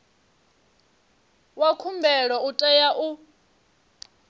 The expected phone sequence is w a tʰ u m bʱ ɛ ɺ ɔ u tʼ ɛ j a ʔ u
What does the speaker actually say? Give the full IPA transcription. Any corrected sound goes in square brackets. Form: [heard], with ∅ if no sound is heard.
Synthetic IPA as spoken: w a [kʰ] u m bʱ ɛ ɺ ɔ u tʼ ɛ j a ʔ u